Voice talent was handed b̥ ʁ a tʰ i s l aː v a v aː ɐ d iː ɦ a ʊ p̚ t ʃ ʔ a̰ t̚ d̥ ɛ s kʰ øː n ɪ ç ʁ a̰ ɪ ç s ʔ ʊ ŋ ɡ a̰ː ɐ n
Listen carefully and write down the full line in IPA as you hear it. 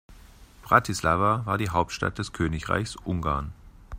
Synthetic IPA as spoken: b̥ ʁ a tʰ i s l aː v a v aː ɐ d iː ɦ a ʊ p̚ t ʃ t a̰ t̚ d̥ ɛ s kʰ øː n ɪ ç ʁ a̰ ɪ ç s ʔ ʊ ŋ ɡ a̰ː ɐ n